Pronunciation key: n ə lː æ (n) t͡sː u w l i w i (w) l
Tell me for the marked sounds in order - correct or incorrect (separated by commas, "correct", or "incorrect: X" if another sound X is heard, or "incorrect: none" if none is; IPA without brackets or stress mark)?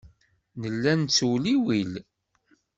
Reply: correct, incorrect: none